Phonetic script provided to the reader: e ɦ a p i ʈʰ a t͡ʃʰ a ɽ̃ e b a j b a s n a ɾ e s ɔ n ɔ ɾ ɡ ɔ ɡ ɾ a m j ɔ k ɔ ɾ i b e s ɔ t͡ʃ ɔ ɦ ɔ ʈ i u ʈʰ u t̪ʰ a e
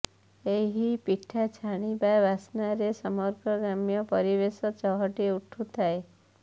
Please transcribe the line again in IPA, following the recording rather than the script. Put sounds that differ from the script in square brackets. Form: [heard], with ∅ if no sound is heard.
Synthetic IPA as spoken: e ɦ [i] p i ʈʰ a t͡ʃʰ a ɽ̃ [i] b a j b a s n a ɾ e s ɔ [m] ɔ ɾ ɡ ɔ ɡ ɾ a m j ɔ [p] ɔ ɾ i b e s ɔ t͡ʃ ɔ ɦ ɔ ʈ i u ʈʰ u t̪ʰ a e